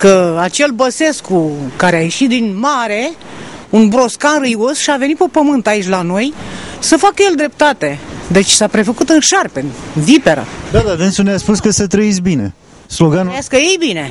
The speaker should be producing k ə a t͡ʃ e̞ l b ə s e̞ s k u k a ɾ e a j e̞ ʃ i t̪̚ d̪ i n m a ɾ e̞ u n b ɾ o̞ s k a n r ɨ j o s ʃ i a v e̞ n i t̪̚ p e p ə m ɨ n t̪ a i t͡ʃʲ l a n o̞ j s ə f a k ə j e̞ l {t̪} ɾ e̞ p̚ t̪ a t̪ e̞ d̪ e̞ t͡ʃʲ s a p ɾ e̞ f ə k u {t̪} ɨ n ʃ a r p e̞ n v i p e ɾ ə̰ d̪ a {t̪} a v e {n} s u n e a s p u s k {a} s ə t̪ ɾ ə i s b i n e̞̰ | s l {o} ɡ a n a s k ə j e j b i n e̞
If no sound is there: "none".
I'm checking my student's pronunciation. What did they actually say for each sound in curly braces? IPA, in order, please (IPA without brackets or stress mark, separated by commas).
d̪, t̪, d̪, n, ə, o